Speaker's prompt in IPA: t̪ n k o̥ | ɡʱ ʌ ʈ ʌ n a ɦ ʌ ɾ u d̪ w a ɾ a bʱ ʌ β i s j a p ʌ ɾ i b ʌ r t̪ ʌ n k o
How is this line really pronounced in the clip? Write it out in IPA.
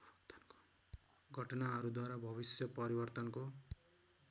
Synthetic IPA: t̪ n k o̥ | ɡʱ ʌ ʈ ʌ n a ɦ ʌ ɾ u d̪ w a ɾ a bʱ ʌ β i s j ʌ p ʌ ɾ i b ʌ r t̪ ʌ n k o